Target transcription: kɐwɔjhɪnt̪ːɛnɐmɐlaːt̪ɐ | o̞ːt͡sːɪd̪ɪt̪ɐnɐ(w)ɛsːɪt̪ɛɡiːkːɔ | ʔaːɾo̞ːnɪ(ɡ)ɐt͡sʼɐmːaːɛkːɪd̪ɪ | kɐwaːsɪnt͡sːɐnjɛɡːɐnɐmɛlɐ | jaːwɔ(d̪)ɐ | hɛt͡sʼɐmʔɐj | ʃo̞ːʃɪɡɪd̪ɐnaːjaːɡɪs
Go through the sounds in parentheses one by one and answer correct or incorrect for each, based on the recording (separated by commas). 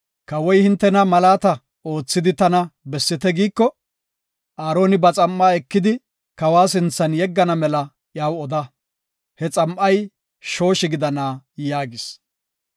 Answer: incorrect, incorrect, correct